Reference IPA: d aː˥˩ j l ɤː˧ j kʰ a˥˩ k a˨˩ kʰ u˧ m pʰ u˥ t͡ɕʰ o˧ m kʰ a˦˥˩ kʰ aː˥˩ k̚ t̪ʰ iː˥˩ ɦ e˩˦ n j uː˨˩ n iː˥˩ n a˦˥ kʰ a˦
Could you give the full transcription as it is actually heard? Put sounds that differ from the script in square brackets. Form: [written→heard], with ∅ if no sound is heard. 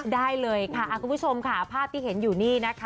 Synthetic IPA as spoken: d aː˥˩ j l ɤː˧ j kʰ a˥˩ [k→ʔ] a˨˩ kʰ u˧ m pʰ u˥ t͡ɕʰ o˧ m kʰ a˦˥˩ [kʰ→pʰ] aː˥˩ [k̚→p̚] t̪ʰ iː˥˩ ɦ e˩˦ n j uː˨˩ n iː˥˩ n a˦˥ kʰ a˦